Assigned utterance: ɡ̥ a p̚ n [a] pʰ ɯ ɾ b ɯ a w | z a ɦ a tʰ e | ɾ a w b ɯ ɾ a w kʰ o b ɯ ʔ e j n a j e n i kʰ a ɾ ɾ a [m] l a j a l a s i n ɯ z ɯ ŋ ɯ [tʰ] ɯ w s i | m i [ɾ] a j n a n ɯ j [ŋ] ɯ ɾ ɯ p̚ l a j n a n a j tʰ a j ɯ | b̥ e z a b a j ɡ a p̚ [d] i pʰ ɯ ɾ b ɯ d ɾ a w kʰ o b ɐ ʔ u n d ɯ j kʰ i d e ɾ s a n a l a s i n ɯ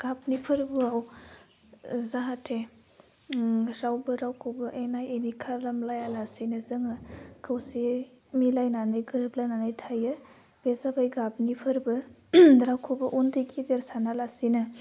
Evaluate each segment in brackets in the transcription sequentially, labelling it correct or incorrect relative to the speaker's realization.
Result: incorrect: i, correct, incorrect: kʰ, incorrect: l, incorrect: ɡ, incorrect: n

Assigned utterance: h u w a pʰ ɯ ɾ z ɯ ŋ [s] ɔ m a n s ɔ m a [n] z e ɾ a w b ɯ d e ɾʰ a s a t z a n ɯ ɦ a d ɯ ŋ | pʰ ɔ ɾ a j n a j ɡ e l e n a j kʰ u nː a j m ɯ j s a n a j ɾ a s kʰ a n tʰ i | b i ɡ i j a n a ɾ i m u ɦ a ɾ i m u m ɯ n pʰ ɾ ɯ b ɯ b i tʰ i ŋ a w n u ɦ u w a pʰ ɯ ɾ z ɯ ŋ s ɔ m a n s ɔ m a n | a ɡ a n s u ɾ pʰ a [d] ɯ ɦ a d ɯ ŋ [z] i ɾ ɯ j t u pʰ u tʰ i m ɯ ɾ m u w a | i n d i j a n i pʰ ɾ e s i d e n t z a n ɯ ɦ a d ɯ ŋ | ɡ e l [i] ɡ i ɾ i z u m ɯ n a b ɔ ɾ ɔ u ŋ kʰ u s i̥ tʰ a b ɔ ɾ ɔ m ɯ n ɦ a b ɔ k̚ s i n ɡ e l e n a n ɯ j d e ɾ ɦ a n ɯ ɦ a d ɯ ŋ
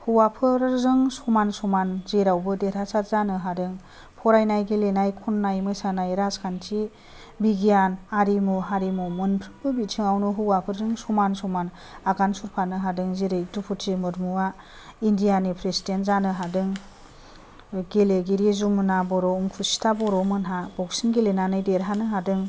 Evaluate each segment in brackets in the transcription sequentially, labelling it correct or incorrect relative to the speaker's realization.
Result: correct, correct, incorrect: n, correct, incorrect: e

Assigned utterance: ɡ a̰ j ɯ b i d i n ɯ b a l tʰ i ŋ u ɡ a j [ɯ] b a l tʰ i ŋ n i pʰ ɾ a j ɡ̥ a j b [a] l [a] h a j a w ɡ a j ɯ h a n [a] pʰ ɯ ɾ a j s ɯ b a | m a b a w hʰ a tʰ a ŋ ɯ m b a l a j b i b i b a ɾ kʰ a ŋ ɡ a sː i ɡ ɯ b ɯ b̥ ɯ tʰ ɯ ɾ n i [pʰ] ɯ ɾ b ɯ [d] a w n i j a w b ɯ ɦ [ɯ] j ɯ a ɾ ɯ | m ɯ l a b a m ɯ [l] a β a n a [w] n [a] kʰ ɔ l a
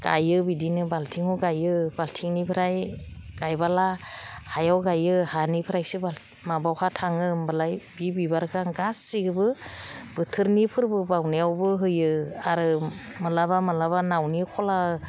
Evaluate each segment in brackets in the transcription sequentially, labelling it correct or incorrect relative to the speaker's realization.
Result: correct, correct, correct, incorrect: i, correct, incorrect: b, correct, correct, correct, incorrect: i

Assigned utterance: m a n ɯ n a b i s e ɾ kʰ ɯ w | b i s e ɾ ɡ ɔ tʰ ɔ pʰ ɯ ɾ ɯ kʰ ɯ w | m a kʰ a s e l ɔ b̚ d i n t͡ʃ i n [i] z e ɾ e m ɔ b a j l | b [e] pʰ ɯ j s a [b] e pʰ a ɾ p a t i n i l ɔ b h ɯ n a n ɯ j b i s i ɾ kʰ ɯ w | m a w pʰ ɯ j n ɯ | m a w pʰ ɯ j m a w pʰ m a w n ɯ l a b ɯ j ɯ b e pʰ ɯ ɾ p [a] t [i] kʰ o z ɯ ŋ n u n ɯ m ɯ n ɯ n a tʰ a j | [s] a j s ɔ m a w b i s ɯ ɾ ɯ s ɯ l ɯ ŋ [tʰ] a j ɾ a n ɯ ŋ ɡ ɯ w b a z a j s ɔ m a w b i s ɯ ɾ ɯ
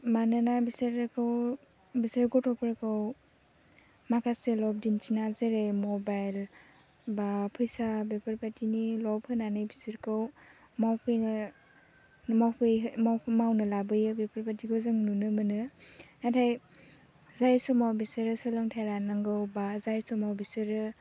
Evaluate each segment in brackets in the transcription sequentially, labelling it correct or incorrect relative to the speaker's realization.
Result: incorrect: a, incorrect: a, correct, correct, correct, incorrect: z, correct

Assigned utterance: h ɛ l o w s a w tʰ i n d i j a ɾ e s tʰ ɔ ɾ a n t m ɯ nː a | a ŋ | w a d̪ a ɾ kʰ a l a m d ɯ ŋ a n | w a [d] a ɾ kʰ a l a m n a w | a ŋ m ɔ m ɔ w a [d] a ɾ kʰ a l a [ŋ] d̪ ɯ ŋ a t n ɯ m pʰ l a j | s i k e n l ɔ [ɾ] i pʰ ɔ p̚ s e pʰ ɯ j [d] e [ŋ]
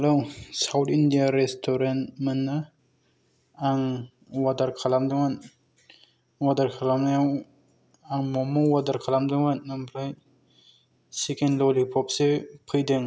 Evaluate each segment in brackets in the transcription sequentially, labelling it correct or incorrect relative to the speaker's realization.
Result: correct, correct, incorrect: m, incorrect: l, correct, correct

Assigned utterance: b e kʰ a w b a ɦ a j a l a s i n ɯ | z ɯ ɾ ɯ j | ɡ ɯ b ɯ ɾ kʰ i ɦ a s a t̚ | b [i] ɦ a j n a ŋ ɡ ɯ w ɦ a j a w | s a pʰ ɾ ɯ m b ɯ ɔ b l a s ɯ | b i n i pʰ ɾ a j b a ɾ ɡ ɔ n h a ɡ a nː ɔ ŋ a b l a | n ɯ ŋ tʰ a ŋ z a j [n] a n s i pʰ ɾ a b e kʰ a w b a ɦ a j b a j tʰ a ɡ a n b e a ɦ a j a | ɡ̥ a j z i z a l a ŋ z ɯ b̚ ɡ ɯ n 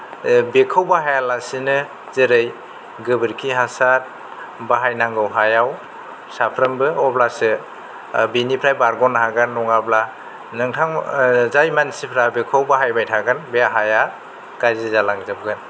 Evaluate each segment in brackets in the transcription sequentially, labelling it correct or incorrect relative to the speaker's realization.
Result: incorrect: a, incorrect: m

